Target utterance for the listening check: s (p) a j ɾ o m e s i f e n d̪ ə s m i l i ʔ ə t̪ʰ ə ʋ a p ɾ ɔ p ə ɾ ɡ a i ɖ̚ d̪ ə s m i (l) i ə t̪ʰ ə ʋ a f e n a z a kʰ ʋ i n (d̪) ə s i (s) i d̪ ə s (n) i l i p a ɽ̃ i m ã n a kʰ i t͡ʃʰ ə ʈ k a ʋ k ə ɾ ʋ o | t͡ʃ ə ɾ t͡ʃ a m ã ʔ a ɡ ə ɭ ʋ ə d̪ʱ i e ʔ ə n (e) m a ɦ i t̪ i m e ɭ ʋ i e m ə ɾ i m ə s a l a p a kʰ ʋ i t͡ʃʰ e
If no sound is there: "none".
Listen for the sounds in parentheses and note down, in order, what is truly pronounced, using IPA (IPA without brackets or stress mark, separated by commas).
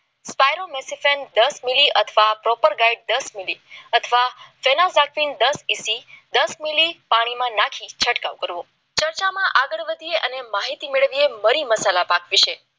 p, l, d̪, s, m, e